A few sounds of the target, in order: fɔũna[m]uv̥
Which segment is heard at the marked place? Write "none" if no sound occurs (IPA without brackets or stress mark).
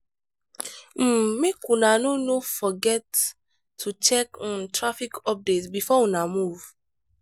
m